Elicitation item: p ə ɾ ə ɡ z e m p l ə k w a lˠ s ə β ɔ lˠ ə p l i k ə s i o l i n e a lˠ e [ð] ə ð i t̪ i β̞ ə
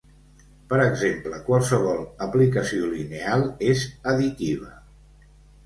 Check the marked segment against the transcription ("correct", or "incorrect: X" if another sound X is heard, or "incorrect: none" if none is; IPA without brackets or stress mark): incorrect: z